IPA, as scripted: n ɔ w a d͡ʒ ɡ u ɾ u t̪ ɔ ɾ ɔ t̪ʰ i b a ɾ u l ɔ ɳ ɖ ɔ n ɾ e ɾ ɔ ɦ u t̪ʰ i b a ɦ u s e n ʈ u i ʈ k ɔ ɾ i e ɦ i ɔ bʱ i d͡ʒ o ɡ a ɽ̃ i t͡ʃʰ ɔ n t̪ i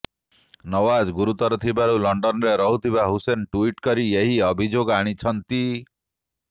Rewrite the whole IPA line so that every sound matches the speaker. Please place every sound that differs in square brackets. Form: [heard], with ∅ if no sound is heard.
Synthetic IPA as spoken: n ɔ w a d͡ʒ ɡ u ɾ u t̪ ɔ ɾ ɔ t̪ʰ i b a ɾ u l ɔ ɳ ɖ ɔ n ɾ e ɾ ɔ ɦ u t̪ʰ i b a ɦ u s e n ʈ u i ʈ k ɔ ɾ i e ɦ i ɔ bʱ i d͡ʒ o ɡ a ɽ̃ i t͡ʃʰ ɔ n t̪ i